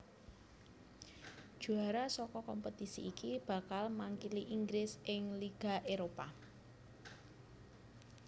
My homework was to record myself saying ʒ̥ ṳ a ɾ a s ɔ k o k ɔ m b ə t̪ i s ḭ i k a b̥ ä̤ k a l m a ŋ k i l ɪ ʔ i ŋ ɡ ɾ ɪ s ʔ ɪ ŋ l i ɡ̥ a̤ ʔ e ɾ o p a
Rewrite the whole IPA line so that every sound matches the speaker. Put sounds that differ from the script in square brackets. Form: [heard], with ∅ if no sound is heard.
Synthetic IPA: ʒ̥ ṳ a ɾ a s ɔ k [ɔ] k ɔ m [p] ə t̪ i s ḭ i k [i] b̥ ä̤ k a l m a ŋ k i l [i] ʔ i ŋ ɡ ɾ ɪ s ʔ ɪ ŋ l i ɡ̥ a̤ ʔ e ɾ o p a